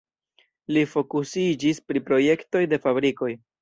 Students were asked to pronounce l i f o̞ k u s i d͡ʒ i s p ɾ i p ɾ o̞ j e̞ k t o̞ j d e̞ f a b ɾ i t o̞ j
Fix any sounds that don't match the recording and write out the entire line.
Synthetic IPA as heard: l i f o̞ k u s i d͡ʒ i s p ɾ i p ɾ o̞ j e̞ k t o̞ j d e̞ f a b ɾ i k o̞ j